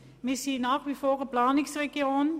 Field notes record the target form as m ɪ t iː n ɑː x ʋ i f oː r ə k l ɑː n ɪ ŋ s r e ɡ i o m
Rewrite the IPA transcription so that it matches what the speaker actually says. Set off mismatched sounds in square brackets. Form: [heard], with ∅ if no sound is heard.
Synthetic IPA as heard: m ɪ [s] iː n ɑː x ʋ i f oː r ə [p] l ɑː n ɪ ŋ s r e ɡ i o [n]